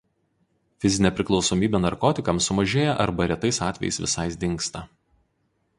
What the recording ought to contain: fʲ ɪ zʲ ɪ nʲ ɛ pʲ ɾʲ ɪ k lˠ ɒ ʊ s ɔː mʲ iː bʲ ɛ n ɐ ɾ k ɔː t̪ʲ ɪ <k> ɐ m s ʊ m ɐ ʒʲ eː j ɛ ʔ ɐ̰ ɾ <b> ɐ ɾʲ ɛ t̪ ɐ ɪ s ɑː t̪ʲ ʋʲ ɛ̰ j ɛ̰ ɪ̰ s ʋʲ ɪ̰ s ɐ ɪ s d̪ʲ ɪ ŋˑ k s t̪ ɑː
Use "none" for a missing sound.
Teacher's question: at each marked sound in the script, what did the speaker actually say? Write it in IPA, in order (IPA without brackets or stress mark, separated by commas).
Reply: k, b